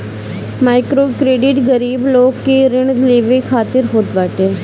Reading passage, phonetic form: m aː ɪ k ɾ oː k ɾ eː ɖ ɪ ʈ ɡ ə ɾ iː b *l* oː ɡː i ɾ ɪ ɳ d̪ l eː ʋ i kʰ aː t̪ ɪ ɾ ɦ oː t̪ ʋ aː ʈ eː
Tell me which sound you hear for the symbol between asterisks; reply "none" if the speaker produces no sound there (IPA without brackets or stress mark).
l